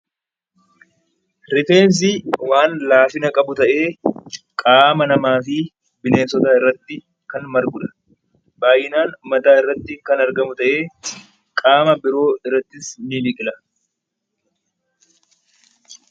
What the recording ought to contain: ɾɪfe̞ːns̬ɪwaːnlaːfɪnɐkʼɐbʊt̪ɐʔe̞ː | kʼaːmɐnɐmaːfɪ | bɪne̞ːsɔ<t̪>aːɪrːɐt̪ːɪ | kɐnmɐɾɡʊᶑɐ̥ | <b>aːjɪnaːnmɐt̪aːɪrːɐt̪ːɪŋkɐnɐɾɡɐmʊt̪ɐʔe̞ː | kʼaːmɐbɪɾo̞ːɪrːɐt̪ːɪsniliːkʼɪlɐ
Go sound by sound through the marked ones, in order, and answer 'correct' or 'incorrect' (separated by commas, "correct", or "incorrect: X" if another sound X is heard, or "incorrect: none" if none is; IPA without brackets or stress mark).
correct, correct